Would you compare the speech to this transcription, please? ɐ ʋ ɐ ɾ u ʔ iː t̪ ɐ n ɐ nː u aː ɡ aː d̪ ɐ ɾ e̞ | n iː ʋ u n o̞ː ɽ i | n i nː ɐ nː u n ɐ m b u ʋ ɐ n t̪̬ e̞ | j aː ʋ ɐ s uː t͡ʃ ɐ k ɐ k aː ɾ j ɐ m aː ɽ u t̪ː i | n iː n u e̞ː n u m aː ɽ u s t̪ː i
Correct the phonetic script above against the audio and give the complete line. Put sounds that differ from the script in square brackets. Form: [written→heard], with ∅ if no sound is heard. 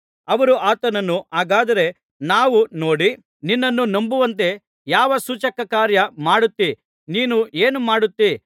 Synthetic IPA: ɐ ʋ ɐ ɾ u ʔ [iː→aː] t̪ ɐ n ɐ nː u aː ɡ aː d̪ ɐ ɾ e̞ | n [iː→aː] ʋ u n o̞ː ɽ i | n i nː ɐ nː u n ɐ m b u ʋ ɐ n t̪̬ e̞ | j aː ʋ ɐ s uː t͡ʃ ɐ k ɐ k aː ɾ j ɐ m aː ɽ u t̪ː i | n iː n u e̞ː n u m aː ɽ u [s→∅] t̪ː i